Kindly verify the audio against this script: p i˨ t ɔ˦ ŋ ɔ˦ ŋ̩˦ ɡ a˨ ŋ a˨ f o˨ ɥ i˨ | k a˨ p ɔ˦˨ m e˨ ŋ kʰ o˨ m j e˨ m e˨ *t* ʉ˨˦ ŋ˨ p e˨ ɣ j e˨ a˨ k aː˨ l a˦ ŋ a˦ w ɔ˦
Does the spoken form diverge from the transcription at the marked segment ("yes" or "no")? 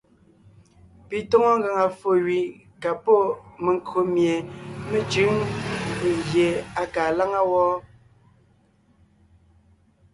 yes